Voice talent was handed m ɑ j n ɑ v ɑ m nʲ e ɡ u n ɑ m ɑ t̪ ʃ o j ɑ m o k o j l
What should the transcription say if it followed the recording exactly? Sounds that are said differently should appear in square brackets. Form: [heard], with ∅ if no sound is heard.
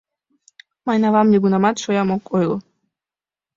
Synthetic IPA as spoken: m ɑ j n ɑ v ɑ m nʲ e ɡ u n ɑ m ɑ t̪ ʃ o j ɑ m o k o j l